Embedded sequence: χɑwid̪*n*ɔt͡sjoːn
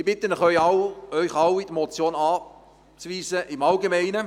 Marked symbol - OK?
no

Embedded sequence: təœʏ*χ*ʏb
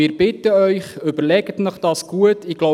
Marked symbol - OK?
yes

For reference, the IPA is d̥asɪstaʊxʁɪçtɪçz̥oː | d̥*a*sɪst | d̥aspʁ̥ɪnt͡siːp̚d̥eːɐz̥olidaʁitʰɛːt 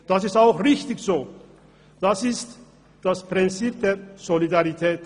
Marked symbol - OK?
yes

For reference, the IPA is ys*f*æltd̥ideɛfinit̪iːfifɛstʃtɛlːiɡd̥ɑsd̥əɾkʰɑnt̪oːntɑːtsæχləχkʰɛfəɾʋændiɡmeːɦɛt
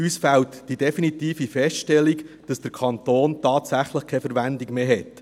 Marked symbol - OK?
yes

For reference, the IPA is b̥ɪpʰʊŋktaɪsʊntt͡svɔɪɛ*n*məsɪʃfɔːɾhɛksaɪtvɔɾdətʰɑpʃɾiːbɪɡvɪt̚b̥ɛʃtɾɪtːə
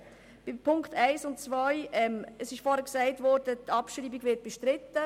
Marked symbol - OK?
no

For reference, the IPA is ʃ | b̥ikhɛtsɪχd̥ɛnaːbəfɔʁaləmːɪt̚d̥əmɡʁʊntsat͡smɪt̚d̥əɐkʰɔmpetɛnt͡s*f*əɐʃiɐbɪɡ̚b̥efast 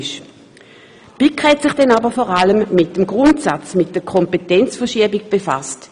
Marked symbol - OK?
yes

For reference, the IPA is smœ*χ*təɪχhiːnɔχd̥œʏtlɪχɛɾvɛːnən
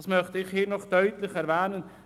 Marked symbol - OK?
yes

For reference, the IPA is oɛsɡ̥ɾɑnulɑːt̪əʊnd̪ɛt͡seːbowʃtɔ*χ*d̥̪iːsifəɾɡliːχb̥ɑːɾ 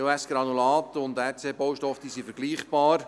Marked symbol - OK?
no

